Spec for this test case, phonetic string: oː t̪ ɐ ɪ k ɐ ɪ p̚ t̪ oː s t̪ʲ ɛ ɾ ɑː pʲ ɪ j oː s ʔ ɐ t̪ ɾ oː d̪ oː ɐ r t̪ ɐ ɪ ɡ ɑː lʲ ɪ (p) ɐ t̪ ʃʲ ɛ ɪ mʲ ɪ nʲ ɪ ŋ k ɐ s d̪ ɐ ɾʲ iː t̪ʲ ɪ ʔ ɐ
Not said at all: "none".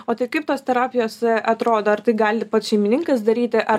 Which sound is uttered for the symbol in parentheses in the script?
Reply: p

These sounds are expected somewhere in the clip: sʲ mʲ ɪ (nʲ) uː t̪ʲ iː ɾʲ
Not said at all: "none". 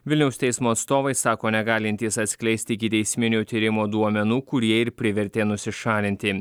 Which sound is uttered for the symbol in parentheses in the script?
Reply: nʲ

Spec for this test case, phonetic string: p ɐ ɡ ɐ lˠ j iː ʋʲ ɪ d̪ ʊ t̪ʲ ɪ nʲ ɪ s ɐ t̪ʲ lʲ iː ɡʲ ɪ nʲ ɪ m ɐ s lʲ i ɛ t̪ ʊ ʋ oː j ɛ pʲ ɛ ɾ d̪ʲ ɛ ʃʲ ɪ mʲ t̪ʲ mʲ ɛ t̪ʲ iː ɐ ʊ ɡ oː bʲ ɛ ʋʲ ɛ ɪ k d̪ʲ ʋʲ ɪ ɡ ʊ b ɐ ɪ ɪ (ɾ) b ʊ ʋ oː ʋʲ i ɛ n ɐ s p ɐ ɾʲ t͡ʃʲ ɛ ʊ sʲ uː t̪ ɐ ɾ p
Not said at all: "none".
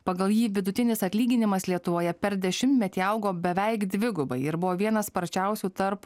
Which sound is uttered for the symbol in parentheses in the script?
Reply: ɾ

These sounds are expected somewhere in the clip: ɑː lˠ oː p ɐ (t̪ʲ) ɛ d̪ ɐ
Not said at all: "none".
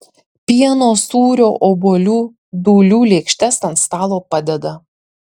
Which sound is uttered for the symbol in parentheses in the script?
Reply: d̪ʲ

